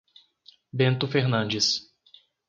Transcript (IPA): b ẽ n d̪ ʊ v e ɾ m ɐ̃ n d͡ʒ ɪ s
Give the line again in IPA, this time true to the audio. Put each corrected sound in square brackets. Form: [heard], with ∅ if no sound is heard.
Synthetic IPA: b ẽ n [t̪] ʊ [f] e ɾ [n] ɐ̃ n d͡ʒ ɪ s